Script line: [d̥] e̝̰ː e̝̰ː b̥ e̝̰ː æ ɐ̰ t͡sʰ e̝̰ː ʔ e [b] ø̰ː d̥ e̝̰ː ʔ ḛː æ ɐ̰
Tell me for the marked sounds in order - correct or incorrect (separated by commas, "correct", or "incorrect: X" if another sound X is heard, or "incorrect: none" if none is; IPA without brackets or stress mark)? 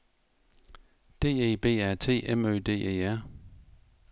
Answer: correct, incorrect: m